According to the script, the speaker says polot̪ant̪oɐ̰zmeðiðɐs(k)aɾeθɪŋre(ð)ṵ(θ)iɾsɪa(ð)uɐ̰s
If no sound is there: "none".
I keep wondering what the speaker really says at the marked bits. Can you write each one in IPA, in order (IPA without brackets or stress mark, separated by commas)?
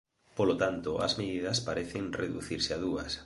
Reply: p, ð, θ, ð